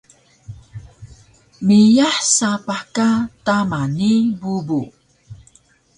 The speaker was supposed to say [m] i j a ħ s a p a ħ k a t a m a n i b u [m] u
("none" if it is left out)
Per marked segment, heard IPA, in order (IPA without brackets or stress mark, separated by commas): m, b